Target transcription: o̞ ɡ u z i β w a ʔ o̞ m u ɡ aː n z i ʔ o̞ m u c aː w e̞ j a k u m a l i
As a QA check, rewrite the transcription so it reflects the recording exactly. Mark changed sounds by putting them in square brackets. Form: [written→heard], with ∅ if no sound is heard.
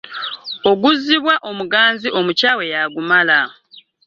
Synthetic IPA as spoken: o̞ ɡ u z i β w a ʔ o̞ m u ɡ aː n z i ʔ o̞ m u c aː w e̞ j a [k→ɡ] u m a l [i→a]